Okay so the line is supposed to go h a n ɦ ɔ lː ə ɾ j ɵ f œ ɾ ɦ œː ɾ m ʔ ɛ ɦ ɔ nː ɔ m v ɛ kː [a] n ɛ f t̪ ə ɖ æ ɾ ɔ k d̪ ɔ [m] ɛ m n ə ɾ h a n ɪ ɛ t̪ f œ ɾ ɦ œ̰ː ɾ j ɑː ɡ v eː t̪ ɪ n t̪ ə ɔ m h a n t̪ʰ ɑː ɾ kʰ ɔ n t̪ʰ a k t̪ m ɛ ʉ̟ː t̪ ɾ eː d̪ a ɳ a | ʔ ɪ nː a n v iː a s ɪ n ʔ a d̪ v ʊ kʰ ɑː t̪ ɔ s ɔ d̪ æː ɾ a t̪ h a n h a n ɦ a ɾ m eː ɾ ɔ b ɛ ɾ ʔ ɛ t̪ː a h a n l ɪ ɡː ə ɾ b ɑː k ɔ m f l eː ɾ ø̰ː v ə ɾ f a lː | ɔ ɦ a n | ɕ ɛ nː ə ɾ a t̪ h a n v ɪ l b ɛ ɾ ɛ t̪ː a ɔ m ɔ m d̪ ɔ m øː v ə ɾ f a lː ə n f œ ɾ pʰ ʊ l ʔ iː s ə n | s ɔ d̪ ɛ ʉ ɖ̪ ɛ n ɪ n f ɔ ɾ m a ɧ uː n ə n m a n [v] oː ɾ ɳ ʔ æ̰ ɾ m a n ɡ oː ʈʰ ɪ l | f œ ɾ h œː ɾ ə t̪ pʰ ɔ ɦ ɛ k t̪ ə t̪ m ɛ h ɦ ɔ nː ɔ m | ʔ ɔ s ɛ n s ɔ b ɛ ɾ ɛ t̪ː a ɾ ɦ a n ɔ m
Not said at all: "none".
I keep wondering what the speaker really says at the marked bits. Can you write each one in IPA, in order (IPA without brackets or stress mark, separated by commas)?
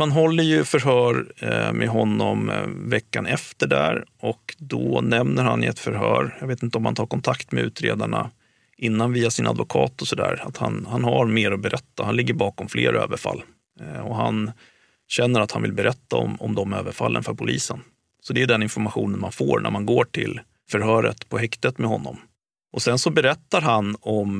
a, n, f